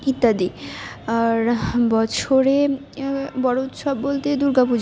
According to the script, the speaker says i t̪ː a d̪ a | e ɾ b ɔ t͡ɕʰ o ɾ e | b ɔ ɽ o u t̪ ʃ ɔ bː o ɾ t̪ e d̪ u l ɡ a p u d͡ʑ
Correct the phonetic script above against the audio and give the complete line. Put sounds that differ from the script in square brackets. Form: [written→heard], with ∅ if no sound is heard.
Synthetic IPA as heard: i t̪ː a d̪ [a→i] | [e→a] ɾ b ɔ t͡ɕʰ o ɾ e | b ɔ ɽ o u t̪ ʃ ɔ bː o [ɾ→l] t̪ e d̪ u [l→ɾ] ɡ a p u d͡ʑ